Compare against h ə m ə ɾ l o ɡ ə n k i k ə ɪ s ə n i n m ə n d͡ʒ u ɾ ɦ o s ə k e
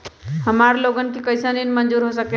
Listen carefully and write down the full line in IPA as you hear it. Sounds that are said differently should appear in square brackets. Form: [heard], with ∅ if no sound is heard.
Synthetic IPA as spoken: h ə m [a] ɾ l o ɡ ə n k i k ə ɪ s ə n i n m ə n d͡ʒ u ɾ ɦ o s ə k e